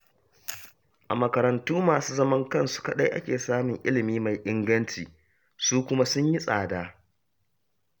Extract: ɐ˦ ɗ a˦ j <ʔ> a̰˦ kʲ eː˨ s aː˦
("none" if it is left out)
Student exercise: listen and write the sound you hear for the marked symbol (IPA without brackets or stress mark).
ʔ